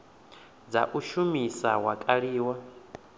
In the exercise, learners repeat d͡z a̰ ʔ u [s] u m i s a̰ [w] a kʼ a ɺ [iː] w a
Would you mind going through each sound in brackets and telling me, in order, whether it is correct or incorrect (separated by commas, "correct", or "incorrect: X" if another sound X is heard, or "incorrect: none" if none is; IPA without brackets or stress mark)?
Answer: incorrect: ʃ, correct, correct